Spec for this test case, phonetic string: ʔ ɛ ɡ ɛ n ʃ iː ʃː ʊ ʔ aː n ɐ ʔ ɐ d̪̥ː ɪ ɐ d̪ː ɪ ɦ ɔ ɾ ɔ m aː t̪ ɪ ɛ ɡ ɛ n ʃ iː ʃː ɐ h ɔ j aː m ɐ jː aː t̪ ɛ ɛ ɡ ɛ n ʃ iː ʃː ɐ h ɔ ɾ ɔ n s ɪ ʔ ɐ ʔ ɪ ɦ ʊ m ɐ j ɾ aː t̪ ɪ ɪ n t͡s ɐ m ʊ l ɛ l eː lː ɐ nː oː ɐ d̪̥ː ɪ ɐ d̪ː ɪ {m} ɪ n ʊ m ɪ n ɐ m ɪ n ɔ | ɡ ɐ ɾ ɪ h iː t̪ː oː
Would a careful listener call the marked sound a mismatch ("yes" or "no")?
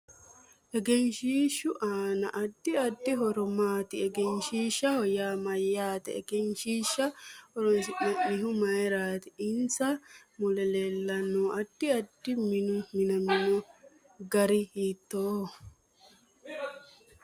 no